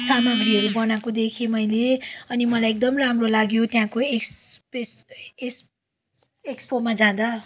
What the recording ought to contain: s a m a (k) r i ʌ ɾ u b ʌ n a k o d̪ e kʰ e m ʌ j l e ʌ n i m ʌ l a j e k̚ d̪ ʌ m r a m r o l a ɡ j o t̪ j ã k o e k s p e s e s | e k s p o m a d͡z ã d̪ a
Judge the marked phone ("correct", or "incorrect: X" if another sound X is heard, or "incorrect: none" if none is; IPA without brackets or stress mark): incorrect: ɡ